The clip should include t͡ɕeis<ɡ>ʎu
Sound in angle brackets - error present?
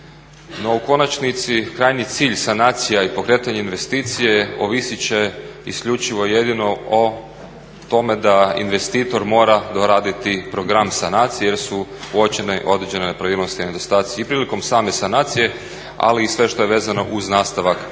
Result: yes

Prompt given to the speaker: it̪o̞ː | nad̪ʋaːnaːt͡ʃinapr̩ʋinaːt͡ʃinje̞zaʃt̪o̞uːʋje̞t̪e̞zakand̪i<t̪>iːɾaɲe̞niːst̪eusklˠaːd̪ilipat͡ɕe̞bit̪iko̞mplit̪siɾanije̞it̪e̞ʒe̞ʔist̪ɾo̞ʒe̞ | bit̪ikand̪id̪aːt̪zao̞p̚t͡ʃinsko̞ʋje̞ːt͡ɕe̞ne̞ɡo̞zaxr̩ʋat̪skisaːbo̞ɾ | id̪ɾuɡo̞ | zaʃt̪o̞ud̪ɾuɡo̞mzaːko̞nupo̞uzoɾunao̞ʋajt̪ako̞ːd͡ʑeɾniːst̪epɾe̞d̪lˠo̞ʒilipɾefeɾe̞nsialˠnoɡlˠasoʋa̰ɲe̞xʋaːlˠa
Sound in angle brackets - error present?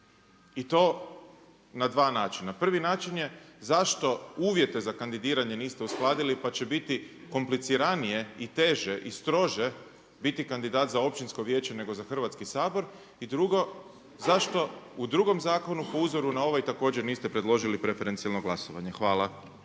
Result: yes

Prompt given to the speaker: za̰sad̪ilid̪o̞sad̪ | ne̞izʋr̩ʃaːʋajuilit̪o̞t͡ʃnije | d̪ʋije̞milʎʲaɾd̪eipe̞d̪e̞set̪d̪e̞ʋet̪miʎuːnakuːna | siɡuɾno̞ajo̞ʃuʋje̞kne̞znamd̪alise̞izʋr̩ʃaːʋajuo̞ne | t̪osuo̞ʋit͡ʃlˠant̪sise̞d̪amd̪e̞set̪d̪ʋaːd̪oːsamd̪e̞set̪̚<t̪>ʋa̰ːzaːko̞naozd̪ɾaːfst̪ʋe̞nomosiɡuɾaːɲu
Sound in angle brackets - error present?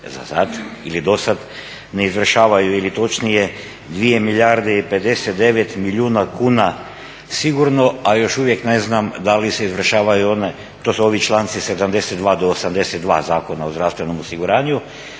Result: yes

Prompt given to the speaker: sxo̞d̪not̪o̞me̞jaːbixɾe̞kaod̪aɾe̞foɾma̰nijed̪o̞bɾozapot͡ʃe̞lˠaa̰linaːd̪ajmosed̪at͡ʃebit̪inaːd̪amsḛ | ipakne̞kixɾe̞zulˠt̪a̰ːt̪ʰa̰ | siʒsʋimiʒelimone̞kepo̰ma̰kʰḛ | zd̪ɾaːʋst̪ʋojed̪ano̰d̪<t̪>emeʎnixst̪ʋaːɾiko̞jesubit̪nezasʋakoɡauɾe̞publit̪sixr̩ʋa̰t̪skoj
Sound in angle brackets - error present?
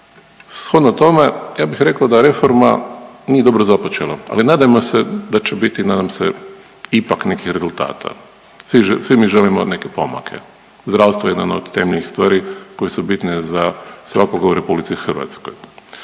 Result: no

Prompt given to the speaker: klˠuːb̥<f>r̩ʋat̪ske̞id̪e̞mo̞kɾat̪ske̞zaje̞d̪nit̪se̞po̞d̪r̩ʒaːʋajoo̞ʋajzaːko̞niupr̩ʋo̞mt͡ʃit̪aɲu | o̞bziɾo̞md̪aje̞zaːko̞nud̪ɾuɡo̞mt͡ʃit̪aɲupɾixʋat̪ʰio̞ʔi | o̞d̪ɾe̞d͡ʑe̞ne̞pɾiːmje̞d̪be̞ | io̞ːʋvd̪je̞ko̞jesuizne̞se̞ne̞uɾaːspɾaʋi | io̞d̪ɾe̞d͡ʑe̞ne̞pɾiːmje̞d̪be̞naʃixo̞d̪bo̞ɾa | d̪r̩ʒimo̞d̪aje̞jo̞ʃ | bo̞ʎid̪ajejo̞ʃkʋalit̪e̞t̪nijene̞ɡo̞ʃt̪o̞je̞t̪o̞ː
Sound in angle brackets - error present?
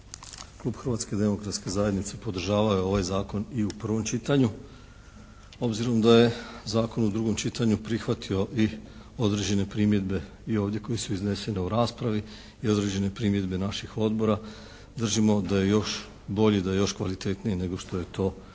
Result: yes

